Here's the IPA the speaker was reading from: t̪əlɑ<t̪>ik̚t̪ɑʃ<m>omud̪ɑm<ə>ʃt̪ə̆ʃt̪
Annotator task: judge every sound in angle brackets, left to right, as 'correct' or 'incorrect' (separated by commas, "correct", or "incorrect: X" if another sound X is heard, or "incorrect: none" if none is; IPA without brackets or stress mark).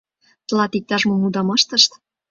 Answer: correct, correct, incorrect: ɑ